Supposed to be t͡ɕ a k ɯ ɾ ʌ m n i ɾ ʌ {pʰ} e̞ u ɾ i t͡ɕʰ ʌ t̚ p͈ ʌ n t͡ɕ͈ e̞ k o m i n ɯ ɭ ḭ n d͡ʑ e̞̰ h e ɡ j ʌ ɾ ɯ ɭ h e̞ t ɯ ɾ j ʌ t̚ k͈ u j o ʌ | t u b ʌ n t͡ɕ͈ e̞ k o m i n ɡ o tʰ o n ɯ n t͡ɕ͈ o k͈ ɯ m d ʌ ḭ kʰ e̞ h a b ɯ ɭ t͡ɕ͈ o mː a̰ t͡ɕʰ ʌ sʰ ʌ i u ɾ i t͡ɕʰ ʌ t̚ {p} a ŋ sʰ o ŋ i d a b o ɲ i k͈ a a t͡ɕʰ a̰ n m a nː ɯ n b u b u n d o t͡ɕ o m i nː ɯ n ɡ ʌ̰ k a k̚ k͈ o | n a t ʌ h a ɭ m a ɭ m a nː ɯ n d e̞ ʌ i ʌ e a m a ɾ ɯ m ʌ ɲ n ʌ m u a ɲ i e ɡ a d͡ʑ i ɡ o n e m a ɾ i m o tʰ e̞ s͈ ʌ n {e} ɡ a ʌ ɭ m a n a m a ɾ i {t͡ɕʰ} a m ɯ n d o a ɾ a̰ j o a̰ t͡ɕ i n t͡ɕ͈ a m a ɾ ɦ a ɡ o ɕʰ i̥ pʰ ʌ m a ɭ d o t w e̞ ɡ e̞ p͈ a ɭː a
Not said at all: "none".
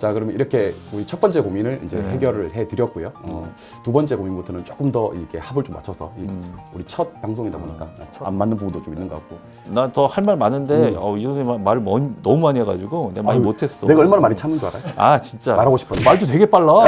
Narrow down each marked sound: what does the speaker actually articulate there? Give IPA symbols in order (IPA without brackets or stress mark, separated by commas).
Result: kʰ, p, e, t͡ɕʰ